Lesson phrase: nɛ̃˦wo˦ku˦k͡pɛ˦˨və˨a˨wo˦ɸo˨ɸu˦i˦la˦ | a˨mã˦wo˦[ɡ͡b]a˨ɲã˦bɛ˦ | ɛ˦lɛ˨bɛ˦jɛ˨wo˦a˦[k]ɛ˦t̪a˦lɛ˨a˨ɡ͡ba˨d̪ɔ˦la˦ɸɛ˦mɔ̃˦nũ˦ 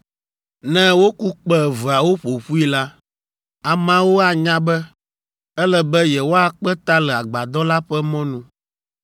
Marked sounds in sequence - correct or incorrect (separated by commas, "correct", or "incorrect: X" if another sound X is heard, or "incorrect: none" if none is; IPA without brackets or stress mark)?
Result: incorrect: none, incorrect: k͡p